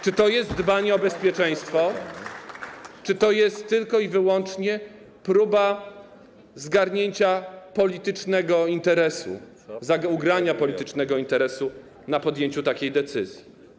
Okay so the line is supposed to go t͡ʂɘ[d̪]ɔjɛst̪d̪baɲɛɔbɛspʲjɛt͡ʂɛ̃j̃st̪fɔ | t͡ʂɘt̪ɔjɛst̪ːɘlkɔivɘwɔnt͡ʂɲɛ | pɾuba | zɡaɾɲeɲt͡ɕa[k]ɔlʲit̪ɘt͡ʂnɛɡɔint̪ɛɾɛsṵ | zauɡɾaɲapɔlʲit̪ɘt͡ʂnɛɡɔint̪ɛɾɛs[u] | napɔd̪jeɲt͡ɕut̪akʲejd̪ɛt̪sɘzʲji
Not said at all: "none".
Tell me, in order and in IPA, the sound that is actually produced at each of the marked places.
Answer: t̪, p, u

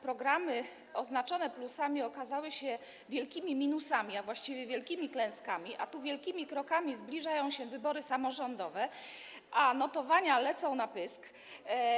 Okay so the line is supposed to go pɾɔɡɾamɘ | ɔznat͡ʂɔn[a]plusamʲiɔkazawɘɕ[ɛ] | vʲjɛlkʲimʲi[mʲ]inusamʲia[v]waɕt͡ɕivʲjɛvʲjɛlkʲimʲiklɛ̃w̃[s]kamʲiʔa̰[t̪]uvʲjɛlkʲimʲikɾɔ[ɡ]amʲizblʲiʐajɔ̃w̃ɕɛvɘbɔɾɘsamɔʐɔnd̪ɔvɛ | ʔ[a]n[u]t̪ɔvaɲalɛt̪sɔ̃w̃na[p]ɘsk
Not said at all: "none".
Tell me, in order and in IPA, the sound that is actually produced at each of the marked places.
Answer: ɛ, ɛ, mʲ, v, s, t̪, k, a, ɔ, p

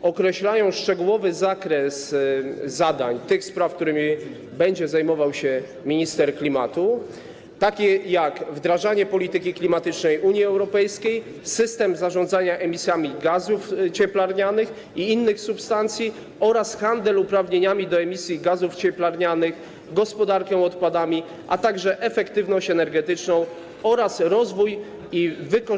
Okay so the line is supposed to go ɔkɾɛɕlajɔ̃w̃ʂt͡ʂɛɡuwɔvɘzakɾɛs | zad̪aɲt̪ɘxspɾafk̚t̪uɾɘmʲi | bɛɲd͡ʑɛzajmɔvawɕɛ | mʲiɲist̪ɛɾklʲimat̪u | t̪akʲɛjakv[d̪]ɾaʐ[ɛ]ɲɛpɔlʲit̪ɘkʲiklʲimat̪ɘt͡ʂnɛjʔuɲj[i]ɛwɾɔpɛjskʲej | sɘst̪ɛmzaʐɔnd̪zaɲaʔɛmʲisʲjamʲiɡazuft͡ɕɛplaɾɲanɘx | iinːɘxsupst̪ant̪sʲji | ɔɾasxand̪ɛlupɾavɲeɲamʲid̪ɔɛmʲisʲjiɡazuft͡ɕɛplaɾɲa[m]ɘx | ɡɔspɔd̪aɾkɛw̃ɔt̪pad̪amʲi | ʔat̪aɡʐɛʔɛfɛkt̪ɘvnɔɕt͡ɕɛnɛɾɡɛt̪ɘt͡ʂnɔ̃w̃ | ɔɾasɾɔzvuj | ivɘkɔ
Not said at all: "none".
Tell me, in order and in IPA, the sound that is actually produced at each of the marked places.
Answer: d̪, a, i, n

